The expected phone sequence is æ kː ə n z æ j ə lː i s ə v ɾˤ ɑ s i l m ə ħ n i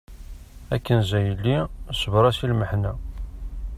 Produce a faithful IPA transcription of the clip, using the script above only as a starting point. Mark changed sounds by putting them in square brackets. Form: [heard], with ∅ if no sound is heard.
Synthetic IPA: æ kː ə n z æ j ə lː i s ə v ɾˤ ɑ s i l m ə ħ n [æ]

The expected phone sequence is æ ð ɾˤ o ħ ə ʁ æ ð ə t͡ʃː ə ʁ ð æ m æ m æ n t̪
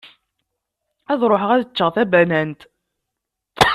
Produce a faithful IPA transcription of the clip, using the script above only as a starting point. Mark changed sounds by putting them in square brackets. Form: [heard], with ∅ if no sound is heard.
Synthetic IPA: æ ð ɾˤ o ħ ə ʁ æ ð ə t͡ʃː ə ʁ [θ] æ [b] æ [n] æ n t̪

